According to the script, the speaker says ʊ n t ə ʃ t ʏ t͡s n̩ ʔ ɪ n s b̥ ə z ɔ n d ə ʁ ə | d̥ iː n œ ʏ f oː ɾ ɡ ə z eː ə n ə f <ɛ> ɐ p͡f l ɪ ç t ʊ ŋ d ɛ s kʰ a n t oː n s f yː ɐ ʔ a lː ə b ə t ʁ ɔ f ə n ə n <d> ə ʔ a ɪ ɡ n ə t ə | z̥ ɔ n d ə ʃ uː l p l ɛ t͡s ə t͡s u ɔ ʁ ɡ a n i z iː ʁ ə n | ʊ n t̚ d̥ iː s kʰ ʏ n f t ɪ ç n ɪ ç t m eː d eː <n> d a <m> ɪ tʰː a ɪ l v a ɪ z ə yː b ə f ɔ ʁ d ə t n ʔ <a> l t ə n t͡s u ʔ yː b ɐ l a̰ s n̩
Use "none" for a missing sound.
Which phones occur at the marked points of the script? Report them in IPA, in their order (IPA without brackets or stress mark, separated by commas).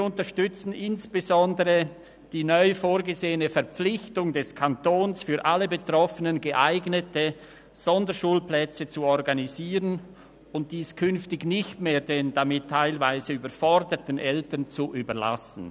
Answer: ɛ, ɡ, n, m, ɛ